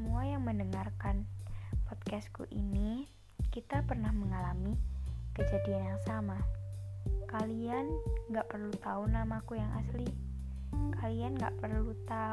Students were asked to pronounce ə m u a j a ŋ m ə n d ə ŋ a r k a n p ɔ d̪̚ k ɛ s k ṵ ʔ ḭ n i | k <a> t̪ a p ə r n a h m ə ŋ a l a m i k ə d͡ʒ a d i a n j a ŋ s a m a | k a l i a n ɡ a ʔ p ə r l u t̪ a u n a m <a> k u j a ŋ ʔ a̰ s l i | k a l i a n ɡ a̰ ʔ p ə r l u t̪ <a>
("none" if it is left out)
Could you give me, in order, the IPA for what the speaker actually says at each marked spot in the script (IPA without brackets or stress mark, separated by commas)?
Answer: i, a, a